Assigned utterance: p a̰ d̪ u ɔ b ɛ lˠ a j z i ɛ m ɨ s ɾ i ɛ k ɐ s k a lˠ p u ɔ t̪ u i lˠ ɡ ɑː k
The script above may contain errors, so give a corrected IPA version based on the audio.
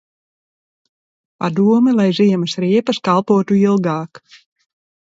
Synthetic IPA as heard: p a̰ d̪ u ɔ m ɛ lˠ a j z i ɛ m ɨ s ɾ i ɛ p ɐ s k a lˠ p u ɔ t̪ u i lˠ ɡ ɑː k